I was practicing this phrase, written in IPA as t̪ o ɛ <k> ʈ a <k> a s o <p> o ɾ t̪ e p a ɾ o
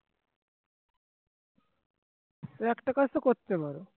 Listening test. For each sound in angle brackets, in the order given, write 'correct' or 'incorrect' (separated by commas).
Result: correct, correct, incorrect